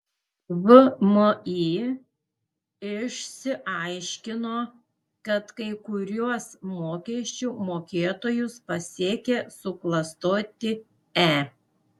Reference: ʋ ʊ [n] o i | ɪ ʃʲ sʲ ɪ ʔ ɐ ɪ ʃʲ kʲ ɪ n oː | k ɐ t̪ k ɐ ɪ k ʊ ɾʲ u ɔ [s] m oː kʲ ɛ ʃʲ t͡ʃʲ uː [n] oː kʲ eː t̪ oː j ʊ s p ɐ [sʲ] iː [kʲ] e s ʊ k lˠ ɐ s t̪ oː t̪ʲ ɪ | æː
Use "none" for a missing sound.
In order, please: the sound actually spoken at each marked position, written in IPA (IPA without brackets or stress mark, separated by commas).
m, s, m, sʲ, kʲ